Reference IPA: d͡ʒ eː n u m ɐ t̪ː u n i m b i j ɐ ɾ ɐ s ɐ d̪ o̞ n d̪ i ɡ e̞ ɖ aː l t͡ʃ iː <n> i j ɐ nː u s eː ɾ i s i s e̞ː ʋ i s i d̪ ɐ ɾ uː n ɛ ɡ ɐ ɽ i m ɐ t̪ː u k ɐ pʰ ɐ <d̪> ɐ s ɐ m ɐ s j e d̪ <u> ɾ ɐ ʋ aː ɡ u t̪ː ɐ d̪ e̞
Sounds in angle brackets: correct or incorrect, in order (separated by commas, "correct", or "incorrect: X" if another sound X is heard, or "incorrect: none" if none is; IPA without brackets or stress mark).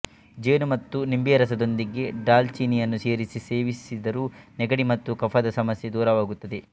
correct, correct, incorrect: uː